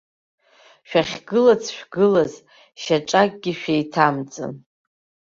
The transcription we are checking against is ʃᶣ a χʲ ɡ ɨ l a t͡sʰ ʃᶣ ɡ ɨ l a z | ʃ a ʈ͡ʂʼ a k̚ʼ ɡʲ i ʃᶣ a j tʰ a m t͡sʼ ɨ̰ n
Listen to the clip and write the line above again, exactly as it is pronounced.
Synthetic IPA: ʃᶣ a χʲ ɡ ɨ l a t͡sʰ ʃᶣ ɡ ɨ l a z | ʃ a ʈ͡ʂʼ a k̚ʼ ɡʲ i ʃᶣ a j tʰ a m t͡sʼ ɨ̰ n